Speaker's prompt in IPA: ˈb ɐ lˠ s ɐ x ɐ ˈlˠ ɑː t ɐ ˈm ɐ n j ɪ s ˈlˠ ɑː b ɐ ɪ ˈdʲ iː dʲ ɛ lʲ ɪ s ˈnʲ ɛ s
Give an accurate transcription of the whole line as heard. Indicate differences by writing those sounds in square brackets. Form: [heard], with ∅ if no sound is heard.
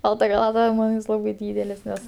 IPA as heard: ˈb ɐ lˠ [t] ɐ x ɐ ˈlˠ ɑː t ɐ ˈm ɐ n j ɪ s ˈlˠ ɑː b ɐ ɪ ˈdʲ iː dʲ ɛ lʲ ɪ s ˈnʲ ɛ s